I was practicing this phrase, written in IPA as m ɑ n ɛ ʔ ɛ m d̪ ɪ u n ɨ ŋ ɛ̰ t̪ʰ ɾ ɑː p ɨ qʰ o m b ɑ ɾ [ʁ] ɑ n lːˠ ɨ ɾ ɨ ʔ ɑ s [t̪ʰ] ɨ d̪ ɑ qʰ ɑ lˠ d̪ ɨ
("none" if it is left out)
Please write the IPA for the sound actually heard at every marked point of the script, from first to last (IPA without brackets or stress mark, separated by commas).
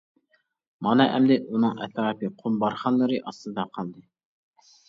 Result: χ, t̪